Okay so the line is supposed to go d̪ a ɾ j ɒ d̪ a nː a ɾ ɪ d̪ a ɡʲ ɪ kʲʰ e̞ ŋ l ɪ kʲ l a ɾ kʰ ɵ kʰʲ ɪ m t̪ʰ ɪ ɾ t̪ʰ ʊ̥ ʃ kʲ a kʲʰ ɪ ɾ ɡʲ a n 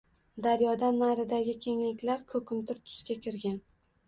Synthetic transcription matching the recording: d̪ a ɾ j ɒ d̪ a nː a ɾ ɪ d̪ a ɡʲ ɪ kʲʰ e̞ ŋ l ɪ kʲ l a ɾ kʰ ɵ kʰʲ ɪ m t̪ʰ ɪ ɾ t̪ʰ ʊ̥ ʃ kʲ a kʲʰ ɪ ɾ ɡʲ a n